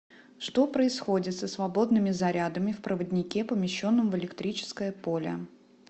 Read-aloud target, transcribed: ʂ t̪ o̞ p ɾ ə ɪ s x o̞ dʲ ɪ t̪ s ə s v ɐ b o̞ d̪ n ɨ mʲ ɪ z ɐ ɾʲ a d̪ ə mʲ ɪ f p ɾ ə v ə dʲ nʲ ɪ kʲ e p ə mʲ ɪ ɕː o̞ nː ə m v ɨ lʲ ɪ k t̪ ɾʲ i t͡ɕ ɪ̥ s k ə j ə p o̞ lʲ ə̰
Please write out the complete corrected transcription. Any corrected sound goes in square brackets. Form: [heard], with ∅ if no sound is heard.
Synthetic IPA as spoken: ʂ t̪ o̞ p ɾ ə ɪ s x o̞ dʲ ɪ t̪ s ə s v ɐ b o̞ d̪ n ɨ mʲ ɪ z ɐ ɾʲ a d̪ ə mʲ ɪ f p ɾ ə v ə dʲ nʲ ɪ kʲ e p ə mʲ ɪ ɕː o̞ nː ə m v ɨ lʲ ɪ k t̪ ɾʲ i t͡ɕ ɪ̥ s k ə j ə p o̞ lʲ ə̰